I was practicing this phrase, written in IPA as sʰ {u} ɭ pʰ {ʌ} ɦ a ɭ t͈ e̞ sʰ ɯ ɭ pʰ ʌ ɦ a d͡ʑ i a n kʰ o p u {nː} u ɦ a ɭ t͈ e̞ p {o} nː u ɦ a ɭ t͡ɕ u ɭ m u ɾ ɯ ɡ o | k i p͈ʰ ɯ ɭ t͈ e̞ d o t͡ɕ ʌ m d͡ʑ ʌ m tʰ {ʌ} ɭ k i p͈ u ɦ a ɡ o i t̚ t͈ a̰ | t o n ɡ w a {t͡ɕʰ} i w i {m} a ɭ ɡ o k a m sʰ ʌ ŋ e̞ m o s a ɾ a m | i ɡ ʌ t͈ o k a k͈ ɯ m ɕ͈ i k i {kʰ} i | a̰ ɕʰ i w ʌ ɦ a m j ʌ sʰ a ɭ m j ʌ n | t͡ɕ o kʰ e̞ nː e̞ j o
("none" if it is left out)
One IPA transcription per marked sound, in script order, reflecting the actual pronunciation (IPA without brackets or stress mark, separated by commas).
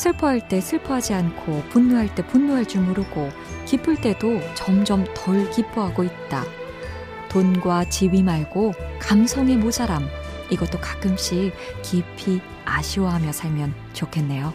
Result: ɯ, ʌ, nː, u, ʌ, t͡ɕ, m, pʰ